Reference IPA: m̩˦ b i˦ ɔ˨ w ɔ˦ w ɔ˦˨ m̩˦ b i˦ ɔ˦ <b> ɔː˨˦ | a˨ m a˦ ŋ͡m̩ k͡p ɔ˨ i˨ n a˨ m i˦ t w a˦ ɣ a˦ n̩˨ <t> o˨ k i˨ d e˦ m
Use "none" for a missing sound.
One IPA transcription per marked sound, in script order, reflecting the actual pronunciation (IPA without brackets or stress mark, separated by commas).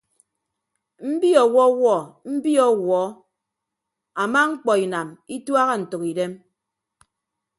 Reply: w, t